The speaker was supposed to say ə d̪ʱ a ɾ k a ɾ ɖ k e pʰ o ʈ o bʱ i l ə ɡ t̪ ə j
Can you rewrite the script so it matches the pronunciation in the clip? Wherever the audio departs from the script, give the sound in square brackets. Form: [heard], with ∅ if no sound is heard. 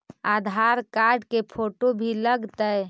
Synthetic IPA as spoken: [a] d̪ʱ a ɾ k a ɾ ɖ k e pʰ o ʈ o bʱ i l ə ɡ t̪ ə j